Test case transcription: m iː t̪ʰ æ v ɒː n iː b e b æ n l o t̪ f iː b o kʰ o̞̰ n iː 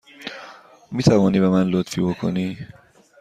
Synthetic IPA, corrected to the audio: m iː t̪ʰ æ v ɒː n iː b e m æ n l o t̪ f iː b o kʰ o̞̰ n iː